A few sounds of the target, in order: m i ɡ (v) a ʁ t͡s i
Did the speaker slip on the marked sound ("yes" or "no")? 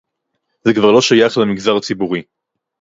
yes